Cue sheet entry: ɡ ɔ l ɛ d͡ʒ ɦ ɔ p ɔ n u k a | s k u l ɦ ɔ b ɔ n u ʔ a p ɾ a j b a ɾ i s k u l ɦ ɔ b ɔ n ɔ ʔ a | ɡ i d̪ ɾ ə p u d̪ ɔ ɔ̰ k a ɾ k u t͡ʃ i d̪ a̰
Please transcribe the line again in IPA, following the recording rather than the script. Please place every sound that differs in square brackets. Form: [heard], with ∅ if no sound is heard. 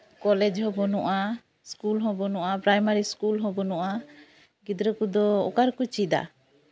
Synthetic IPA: [k] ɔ l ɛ d͡ʒ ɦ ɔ [b] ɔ n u [ʔ] a | s k u l ɦ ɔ b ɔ n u ʔ a p ɾ a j [m] a ɾ i s k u l ɦ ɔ b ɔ n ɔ ʔ a | ɡ i d̪ ɾ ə [k] u d̪ ɔ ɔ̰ k a ɾ k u t͡ʃ i d̪ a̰